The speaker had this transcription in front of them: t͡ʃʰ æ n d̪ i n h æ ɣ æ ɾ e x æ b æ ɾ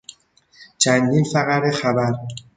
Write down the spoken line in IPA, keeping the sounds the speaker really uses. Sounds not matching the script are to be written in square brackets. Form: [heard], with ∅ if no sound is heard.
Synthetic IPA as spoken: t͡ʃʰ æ n d̪ i n [f] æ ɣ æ ɾ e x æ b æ ɾ